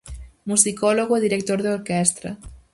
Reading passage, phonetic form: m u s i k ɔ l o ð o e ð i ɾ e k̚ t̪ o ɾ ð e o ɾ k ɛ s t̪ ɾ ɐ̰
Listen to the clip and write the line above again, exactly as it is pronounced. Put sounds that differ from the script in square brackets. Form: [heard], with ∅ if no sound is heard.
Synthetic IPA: m u s i k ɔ l o [ɣ] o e ð i ɾ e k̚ t̪ o ɾ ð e o ɾ k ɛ s t̪ ɾ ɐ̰